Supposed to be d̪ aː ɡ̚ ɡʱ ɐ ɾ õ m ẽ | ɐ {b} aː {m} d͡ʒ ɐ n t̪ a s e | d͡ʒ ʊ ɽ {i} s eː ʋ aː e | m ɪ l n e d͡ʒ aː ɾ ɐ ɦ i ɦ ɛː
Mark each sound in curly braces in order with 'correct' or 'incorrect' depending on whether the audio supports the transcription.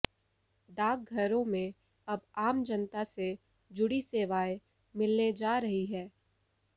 correct, correct, correct

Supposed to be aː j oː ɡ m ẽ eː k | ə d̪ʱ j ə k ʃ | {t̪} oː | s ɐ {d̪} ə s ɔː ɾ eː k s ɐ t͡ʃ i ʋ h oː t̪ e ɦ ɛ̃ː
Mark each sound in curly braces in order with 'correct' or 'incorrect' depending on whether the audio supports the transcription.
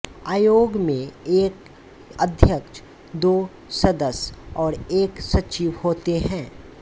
incorrect: d̪, correct

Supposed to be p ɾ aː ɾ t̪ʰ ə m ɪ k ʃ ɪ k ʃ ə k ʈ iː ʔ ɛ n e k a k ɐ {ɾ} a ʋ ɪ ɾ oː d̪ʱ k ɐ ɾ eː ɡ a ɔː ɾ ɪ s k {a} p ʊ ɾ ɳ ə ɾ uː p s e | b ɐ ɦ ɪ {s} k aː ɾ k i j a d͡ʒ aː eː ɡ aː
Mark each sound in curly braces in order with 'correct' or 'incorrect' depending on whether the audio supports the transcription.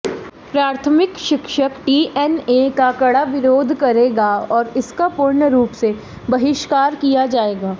incorrect: ɽ, correct, incorrect: ʃ

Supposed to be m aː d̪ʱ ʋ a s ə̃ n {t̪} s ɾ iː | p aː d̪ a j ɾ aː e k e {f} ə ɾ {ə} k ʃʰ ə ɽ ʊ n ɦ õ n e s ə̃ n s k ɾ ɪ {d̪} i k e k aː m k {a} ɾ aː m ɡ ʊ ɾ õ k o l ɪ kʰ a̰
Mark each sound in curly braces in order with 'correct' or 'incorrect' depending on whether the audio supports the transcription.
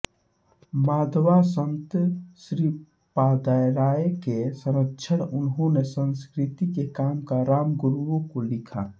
correct, incorrect: s, correct, incorrect: t̪, correct

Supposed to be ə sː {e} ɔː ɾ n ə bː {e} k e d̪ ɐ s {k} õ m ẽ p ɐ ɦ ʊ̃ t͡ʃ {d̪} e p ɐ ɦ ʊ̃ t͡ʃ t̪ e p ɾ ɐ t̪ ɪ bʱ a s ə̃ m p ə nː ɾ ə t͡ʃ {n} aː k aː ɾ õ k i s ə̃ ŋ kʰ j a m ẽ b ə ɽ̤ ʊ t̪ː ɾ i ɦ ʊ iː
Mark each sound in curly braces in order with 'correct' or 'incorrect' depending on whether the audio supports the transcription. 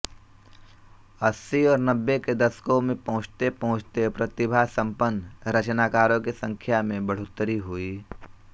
incorrect: i, correct, correct, incorrect: t̪, correct

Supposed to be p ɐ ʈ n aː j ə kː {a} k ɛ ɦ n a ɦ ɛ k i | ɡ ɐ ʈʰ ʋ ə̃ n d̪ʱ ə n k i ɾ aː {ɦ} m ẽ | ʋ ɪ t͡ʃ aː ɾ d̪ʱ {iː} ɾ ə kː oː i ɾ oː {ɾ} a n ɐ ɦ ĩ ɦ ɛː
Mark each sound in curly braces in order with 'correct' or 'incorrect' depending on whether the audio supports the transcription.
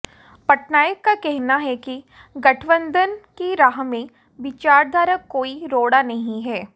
correct, correct, incorrect: aː, incorrect: ɽ

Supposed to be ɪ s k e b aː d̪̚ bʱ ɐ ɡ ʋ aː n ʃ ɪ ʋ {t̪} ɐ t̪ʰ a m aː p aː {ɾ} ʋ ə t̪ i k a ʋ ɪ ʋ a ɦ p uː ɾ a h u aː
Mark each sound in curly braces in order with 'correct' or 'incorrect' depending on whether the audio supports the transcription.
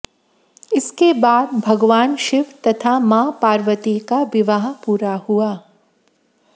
correct, correct

